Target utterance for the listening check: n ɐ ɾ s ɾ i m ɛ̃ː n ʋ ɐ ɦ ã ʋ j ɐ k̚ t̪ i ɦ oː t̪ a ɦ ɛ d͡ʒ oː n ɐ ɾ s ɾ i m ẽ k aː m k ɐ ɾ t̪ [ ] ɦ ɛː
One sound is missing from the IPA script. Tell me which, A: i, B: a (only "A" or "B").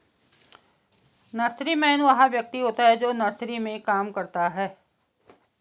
B